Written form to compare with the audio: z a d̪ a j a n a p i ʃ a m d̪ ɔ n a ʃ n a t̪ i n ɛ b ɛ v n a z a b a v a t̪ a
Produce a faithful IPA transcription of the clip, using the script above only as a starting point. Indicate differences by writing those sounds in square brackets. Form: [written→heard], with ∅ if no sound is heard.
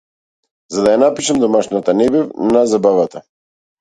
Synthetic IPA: z a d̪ a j a n a p i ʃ a m d̪ ɔ [n→m] a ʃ n a t̪ [i→a] n ɛ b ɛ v n a z a b a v a t̪ a

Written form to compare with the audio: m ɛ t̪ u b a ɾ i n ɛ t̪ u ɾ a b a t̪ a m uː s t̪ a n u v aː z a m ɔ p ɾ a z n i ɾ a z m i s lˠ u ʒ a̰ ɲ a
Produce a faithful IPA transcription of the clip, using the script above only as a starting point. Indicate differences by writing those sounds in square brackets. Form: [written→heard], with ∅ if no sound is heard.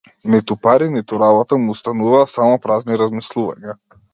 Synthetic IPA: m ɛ t̪ u [b→p] a ɾ i n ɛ t̪ u ɾ a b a t̪ a m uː s t̪ a n u v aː [z→s] a m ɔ p ɾ a z n i ɾ a z m i s lˠ u [ʒ→v] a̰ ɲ a

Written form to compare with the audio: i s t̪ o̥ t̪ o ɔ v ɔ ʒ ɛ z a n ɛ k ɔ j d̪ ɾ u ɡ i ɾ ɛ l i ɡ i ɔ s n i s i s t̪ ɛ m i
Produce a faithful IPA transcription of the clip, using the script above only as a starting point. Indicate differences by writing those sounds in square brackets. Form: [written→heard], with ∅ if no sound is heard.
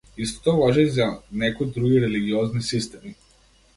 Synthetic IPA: i s t̪ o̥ t̪ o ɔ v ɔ ʒ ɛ z a n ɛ k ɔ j d̪ ɾ u ɡ i ɾ ɛ l i ɡ i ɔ [s→z] n i s i s t̪ ɛ m i

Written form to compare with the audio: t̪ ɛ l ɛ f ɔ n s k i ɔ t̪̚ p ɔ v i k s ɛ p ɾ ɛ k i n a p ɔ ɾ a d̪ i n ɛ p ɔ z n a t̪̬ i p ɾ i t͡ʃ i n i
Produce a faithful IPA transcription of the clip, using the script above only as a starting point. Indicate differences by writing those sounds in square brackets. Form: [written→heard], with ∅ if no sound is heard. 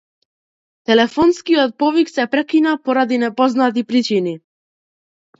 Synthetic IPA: t̪ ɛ l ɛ f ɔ n s k i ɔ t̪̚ p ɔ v i k s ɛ p ɾ ɛ k i n a p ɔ ɾ a d̪ i n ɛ p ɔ z n a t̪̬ i p ɾ i t͡ʃ i n i

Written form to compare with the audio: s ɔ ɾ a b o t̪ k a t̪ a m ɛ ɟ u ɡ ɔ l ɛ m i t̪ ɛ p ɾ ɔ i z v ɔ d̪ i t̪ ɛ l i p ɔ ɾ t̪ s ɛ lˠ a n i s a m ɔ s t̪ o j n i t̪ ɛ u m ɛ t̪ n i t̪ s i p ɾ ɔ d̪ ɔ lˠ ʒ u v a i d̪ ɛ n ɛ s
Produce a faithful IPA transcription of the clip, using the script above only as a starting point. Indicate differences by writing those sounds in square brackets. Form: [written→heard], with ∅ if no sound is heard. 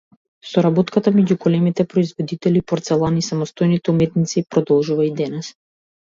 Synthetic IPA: s ɔ ɾ a b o t̪ k a t̪ a m ɛ ɟ u ɡ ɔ l ɛ m i t̪ ɛ p ɾ ɔ i z v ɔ d̪ i t̪ ɛ l i p ɔ ɾ t̪ s ɛ lˠ a n i s a m ɔ s t̪ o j n i t̪ ɛ u m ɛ t̪ n i t̪ s i p ɾ ɔ d̪ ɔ lˠ ʒ u v a i d̪ ɛ n ɛ s

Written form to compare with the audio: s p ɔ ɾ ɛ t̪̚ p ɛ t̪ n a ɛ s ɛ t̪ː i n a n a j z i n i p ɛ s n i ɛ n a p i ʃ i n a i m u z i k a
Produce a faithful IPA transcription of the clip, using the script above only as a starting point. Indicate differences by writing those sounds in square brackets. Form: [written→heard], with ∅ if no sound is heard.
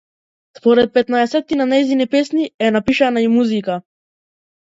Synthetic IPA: s p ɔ ɾ ɛ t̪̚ p ɛ t̪ n a ɛ s ɛ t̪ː i n a n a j z i n i p ɛ s n i ɛ n a p i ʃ [i→a] n a i m u z i k a

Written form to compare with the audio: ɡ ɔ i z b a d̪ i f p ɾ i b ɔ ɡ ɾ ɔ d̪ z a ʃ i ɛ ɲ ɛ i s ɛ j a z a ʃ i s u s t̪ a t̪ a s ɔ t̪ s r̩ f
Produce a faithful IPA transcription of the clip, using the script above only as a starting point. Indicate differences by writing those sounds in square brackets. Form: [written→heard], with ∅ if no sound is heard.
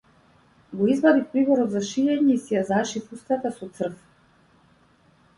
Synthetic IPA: ɡ ɔ i z b a d̪ i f p ɾ i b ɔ [ɡ→∅] ɾ ɔ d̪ z a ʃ i ɛ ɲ ɛ i s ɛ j a z a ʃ i [s→f] u s t̪ a t̪ a s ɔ t̪ s r̩ f

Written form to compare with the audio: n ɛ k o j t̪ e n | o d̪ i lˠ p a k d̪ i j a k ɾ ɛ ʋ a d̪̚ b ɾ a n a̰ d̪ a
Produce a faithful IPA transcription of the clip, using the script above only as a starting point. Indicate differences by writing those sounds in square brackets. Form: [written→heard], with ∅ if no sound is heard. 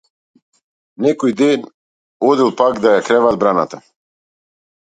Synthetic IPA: n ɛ k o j [t̪→d̪] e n | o d̪ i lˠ p a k d̪ [i→a] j a k ɾ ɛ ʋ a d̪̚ b ɾ a n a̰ [d̪→t̪] a

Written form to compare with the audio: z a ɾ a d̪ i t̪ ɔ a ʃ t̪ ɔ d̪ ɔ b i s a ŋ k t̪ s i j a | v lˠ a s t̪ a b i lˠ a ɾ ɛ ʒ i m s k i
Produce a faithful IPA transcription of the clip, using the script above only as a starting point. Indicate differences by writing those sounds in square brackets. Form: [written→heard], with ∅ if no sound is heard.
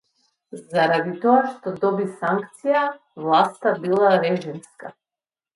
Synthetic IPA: z a ɾ a d̪ i t̪ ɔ a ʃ t̪ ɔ d̪ ɔ b i s a ŋ k t̪ s i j a | v lˠ a s t̪ a b i lˠ a ɾ ɛ ʒ i m s k [i→a]

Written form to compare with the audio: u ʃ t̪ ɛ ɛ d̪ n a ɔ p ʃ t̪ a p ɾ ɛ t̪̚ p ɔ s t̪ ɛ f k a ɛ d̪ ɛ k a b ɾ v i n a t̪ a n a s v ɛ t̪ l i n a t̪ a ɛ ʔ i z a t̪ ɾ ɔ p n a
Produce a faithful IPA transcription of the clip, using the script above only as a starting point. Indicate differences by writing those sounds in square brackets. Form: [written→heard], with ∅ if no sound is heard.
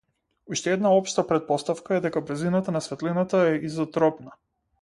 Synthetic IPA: u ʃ t̪ ɛ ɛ d̪ n a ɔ p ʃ t̪ a p ɾ ɛ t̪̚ p ɔ s t̪ [ɛ→a] f k a ɛ d̪ ɛ k a b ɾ [v→z] i n a t̪ a n a s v ɛ t̪ l i n a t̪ a ɛ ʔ i z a t̪ ɾ ɔ p n a

